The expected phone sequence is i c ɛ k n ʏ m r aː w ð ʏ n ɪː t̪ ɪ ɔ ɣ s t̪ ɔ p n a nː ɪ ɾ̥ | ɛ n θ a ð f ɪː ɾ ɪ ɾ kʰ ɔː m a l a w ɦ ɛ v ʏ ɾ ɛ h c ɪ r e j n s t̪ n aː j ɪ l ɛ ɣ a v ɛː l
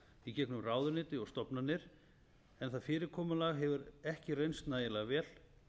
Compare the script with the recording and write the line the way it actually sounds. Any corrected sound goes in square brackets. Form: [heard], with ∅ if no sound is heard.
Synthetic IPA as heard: i c ɛ k n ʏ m r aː w ð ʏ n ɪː t̪ ɪ ɔ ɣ s t̪ ɔ p n a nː ɪ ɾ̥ | ɛ n θ a ð f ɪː ɾ ɪ ɾ kʰ ɔː m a l a [ɣ] ɦ ɛ v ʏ ɾ ɛ h c ɪ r e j n s t̪ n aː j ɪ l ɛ ɣ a v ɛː l